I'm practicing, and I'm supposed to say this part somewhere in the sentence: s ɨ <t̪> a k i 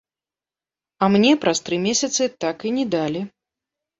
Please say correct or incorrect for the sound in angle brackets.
correct